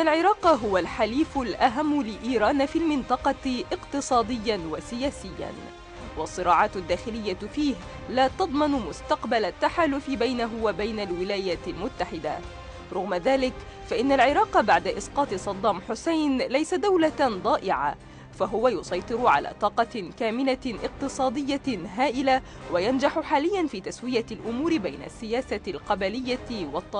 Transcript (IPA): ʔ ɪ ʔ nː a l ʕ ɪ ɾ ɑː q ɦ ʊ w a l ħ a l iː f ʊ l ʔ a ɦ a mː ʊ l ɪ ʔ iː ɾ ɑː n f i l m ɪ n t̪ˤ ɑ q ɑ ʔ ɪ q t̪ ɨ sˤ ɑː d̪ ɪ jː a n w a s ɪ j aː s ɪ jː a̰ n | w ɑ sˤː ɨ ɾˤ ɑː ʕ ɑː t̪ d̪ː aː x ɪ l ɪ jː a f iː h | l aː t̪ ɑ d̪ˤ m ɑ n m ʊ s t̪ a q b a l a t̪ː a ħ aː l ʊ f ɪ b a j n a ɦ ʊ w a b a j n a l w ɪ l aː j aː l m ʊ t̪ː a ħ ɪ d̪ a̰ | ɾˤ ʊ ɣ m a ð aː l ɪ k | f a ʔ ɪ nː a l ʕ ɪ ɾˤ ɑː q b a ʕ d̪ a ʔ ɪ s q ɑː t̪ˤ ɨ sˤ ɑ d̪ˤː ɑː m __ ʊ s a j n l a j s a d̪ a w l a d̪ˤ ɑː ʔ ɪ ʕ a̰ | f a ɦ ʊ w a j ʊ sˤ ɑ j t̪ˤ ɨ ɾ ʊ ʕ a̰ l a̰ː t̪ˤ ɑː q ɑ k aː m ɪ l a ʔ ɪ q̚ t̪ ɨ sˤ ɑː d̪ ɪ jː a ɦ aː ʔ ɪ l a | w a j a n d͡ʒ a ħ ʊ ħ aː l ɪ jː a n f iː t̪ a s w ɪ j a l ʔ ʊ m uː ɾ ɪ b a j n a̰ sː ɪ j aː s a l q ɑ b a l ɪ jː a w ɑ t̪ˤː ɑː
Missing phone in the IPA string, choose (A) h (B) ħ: B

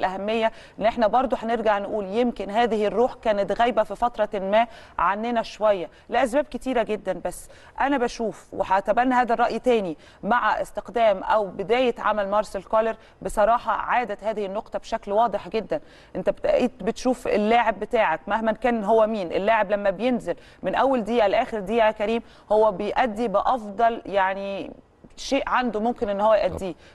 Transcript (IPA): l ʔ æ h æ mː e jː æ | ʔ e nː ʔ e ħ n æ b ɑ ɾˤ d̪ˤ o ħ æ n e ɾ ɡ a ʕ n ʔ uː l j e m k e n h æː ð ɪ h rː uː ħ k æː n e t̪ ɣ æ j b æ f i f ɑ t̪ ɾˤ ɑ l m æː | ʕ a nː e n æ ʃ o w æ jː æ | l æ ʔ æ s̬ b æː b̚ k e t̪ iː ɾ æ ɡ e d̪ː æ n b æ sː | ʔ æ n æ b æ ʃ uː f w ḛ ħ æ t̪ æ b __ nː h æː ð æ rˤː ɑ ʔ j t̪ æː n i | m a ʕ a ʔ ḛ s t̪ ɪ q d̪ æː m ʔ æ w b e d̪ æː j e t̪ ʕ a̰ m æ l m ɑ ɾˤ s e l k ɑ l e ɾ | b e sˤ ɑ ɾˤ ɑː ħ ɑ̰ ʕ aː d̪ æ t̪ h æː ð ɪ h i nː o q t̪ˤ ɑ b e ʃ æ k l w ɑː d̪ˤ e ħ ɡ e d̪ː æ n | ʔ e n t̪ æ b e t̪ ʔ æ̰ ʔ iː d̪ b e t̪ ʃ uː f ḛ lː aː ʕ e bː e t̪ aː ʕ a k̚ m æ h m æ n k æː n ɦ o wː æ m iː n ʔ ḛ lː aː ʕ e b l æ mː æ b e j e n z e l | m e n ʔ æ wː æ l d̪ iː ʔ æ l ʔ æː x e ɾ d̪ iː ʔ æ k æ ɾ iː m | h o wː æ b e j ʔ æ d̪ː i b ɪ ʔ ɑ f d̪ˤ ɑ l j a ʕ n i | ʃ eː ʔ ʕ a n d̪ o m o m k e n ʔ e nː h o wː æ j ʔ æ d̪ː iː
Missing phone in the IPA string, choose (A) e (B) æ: B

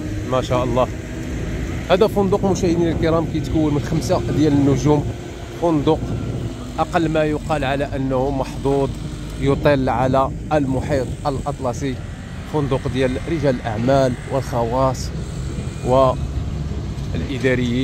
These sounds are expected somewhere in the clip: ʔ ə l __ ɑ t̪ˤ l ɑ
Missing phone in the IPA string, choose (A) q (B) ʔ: B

